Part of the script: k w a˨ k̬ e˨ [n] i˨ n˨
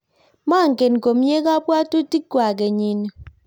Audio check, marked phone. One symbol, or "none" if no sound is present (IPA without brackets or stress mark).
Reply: ɲ